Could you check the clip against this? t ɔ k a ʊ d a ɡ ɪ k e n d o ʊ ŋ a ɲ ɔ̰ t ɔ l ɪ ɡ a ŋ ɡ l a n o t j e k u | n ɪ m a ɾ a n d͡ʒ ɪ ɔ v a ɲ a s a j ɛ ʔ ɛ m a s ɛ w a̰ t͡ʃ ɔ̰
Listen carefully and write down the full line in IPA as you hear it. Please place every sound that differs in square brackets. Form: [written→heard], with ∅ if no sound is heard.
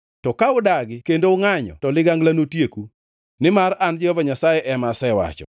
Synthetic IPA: t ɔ k a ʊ d a ɡ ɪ k e n d o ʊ ŋ a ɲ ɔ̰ t ɔ l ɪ ɡ a ŋ ɡ l a n o t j e k u | n ɪ m a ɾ a n d͡ʒ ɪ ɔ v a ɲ a s a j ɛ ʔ ɛ m a s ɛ w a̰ t͡ʃ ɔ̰